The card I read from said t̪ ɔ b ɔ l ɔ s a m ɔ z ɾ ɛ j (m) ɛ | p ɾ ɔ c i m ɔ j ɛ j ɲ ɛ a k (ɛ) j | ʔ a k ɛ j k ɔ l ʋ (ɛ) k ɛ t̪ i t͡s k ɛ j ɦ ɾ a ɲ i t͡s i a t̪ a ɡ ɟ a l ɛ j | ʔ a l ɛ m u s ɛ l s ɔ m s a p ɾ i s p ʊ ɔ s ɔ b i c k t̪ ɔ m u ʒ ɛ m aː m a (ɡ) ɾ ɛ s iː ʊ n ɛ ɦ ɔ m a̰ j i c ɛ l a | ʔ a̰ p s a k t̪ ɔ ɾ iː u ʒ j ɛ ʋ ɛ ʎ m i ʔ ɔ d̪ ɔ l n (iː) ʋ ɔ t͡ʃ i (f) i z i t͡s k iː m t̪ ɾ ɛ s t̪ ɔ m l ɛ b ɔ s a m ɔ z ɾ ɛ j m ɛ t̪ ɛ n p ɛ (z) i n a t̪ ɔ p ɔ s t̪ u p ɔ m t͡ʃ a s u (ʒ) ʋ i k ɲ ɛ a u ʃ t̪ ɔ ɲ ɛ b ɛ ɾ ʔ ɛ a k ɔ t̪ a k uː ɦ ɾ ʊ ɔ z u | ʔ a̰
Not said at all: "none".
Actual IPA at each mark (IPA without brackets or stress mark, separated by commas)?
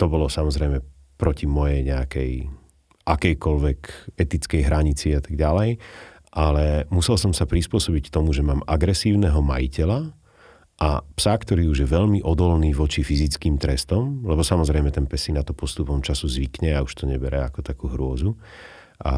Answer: m, ɛ, ɛ, ɡ, iː, f, s, z